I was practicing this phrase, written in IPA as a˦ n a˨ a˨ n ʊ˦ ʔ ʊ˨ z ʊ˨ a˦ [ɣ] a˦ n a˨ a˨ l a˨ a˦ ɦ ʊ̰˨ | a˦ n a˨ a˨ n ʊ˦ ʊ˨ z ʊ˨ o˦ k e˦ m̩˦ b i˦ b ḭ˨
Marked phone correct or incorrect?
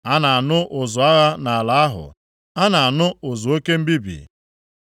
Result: correct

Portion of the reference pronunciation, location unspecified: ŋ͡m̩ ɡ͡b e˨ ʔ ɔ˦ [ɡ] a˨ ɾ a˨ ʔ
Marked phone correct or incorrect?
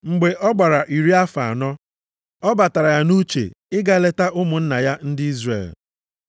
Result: incorrect: ɡ͡b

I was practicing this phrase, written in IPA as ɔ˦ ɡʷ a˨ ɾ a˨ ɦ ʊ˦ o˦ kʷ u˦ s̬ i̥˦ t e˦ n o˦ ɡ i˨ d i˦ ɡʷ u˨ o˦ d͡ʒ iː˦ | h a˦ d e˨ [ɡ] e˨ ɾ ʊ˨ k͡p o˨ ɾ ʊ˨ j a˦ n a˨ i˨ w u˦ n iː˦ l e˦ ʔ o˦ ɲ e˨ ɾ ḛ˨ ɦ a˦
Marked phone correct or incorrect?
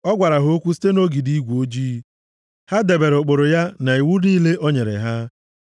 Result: incorrect: b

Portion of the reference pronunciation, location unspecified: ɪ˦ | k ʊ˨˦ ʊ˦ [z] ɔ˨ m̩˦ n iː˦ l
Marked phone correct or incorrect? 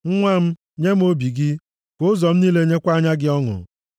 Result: correct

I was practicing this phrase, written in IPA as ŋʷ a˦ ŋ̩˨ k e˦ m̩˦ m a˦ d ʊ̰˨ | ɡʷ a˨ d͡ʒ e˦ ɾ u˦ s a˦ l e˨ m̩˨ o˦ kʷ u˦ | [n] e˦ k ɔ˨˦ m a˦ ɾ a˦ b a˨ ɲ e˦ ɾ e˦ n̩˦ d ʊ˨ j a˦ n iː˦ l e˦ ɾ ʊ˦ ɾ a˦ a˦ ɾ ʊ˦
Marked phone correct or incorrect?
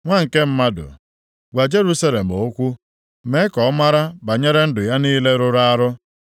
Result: incorrect: m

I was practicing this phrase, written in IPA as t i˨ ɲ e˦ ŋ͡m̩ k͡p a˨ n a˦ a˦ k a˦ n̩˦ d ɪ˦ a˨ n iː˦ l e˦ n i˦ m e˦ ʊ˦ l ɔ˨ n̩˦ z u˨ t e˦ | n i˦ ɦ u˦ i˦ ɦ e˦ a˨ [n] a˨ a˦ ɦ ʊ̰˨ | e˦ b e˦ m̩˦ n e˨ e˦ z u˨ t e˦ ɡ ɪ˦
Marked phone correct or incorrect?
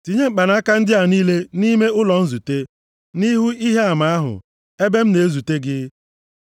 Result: incorrect: m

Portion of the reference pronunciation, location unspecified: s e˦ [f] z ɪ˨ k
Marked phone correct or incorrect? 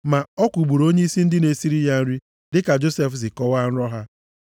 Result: correct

